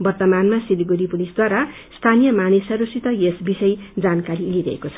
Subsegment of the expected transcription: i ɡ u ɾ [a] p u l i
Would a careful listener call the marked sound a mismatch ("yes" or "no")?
yes